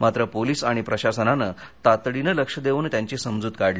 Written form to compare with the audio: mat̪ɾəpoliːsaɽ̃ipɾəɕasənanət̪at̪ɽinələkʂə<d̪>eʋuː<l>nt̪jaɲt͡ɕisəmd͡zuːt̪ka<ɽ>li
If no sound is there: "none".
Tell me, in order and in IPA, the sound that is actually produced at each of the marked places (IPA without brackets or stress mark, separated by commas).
d̪, none, ɽ